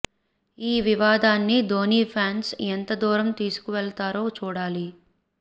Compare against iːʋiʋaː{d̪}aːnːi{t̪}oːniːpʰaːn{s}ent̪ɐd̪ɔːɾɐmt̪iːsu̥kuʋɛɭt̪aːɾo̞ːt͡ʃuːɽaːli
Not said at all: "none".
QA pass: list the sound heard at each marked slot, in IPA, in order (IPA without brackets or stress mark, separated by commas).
d̪, d̪, s